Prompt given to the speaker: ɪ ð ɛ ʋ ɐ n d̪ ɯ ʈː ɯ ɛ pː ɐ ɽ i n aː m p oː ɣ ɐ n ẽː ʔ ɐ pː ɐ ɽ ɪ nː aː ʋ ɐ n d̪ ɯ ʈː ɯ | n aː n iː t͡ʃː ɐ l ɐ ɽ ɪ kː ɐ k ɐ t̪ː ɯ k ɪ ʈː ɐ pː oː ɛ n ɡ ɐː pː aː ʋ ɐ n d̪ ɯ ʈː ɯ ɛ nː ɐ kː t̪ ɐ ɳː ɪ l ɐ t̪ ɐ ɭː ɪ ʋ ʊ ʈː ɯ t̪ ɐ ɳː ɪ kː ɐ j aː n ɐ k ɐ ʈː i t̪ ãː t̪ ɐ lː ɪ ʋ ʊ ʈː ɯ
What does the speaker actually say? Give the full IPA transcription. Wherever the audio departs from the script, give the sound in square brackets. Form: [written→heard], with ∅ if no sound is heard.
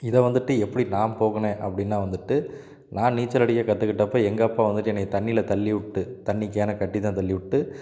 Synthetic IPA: ɪ ð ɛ ʋ ɐ n d̪ ɯ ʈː ɯ ɛ pː ɐ ɽ i n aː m p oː ɣ ɐ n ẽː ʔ ɐ pː ɐ ɽ ɪ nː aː ʋ ɐ n d̪ ɯ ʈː ɯ | n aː n iː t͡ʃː ɐ l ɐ ɽ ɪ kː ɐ k ɐ t̪ː ɯ k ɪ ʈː ɐ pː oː ɛ [n→ŋ] ɡ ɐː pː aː ʋ ɐ n d̪ ɯ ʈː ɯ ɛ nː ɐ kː t̪ ɐ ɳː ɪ l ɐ t̪ ɐ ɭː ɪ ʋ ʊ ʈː ɯ t̪ ɐ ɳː ɪ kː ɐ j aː n ɐ k ɐ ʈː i t̪ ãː t̪ ɐ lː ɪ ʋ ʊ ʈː ɯ